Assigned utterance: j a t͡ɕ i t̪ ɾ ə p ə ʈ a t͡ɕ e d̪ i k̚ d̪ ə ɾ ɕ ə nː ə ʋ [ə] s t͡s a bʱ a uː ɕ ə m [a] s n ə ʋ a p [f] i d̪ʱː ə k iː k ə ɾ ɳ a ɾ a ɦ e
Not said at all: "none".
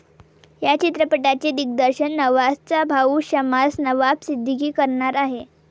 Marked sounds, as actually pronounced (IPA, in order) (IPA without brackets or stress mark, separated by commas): a, a, s